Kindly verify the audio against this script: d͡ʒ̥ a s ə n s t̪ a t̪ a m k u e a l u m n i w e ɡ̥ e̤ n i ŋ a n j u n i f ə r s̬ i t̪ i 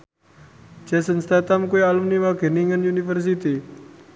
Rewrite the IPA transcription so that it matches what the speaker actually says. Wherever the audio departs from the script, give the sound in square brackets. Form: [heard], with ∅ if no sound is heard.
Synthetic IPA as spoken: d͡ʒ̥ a s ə n s t̪ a t̪ a m k u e a l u m n i w [a] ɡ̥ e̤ n i ŋ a n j u n i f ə r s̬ i t̪ i